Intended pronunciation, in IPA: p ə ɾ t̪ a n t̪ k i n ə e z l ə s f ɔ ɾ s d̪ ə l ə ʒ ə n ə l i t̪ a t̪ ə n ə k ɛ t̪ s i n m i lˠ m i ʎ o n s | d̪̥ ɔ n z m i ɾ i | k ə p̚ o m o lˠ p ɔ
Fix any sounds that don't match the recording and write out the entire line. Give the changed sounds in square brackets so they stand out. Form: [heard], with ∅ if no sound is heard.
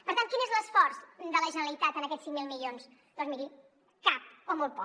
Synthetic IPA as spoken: p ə ɾ t̪ a n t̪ k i n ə e z l ə s f ɔ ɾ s d̪ ə l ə ʒ ə n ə l i t̪ a t̪ ə n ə k ɛ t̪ s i [ŋ] m i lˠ m i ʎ o n s | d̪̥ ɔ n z m i ɾ i | k [a] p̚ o m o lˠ p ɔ